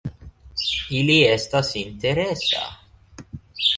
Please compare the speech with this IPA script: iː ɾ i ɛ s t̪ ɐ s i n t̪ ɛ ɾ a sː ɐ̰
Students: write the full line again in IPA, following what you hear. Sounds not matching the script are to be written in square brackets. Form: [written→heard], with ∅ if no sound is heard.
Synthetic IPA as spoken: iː [ɾ→l] i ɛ s t̪ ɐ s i n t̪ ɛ ɾ [a→ɛ] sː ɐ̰